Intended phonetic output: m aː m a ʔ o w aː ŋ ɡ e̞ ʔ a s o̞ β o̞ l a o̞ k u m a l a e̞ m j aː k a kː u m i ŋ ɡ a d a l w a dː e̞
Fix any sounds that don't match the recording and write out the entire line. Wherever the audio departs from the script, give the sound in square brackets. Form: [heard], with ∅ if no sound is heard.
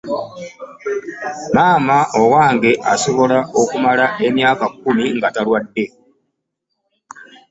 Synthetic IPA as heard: m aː m a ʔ o w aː ŋ ɡ e̞ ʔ a s o̞ β o̞ l a o̞ k u m a l a e̞ m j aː k a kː u m i ŋ ɡ a [t] a l w a dː e̞